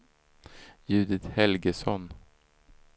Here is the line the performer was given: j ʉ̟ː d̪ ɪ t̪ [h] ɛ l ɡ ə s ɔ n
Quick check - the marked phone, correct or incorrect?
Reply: correct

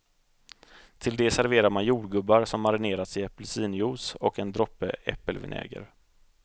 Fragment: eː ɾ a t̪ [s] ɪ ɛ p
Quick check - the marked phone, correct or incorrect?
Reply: correct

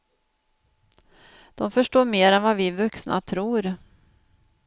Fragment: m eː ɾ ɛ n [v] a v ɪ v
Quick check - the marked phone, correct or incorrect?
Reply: correct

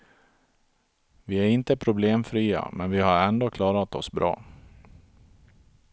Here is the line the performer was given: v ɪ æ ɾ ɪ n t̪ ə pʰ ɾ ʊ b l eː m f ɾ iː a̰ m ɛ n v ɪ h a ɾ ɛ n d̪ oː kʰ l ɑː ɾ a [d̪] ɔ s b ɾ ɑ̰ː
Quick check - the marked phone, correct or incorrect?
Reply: incorrect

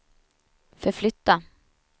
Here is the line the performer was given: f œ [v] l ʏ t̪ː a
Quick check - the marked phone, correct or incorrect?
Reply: incorrect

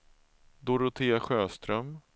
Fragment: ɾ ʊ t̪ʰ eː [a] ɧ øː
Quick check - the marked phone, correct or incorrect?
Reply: correct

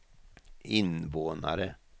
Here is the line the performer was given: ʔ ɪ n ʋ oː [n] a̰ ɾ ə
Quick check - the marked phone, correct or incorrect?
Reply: correct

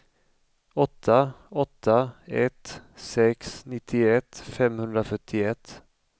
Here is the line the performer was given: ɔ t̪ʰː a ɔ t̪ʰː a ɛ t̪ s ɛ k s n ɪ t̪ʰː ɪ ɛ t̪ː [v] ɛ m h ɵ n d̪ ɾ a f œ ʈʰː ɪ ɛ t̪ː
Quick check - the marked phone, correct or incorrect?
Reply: incorrect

